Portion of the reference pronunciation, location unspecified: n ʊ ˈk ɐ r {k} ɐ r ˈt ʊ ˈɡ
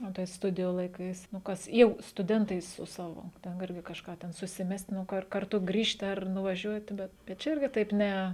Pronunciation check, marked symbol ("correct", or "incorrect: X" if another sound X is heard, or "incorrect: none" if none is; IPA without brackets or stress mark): correct